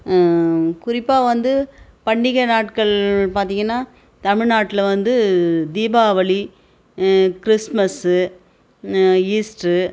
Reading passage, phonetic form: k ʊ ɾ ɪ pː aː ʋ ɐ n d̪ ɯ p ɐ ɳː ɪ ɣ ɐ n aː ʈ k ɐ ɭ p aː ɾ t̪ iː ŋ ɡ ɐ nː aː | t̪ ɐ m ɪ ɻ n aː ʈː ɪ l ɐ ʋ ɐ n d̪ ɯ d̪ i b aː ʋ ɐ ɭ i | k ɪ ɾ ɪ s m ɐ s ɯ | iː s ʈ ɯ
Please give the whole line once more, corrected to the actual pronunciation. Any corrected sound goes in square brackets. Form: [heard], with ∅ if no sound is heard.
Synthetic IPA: k ʊ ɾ ɪ pː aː ʋ ɐ n d̪ ɯ p ɐ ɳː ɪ ɣ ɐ n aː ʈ k ɐ ɭ p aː ɾ t̪ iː ŋ ɡ ɐ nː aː | t̪ ɐ m ɪ ɻ n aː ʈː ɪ l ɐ ʋ ɐ n d̪ ɯ d̪ [iː] b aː ʋ ɐ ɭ i | k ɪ ɾ ɪ s m ɐ s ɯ | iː s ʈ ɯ